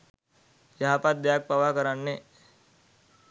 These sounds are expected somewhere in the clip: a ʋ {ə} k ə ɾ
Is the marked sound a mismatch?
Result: yes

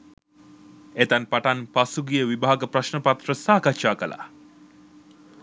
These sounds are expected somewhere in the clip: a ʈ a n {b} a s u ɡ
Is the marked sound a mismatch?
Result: yes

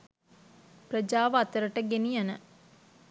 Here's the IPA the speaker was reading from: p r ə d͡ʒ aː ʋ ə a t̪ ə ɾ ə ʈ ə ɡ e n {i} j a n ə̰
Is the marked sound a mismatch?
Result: no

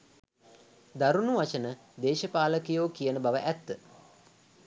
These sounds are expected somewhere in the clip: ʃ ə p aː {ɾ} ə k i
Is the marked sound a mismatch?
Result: yes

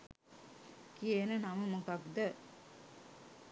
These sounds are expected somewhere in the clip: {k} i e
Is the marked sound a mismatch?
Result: no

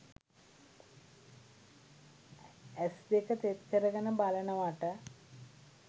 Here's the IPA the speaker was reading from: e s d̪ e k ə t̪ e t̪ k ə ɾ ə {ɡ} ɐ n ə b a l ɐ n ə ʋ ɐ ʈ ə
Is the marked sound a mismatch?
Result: no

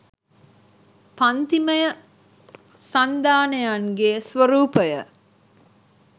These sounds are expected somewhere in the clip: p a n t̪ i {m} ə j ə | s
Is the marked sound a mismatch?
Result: no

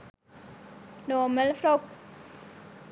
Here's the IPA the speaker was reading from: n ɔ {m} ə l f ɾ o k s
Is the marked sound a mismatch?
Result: no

